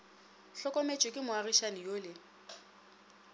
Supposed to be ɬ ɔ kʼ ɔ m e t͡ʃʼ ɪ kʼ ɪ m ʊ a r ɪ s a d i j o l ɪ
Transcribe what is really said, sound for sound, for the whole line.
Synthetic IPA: ɬ ɔ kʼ ɔ m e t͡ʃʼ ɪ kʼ ɪ m ʊ a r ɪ ʃ a n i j o l ɪ